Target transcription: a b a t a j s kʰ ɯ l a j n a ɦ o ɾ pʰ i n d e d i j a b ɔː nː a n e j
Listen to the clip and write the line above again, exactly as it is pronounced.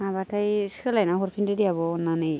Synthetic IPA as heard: a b a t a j s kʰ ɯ l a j n a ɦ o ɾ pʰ i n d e d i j a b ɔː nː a n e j